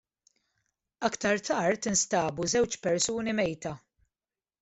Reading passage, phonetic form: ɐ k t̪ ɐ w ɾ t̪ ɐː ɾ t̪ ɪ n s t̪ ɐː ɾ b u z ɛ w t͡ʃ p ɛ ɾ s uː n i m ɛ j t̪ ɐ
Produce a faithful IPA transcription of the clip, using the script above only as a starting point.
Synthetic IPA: ɐ k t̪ ɐ ɾ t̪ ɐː ɾ t̪ ɪ n s t̪ ɐː b u z ɛ w t͡ʃ p ɛ ɾ s uː n i m ɛ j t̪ ɐ